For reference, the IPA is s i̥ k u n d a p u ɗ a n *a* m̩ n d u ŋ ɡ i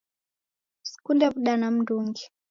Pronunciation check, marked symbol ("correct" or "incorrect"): correct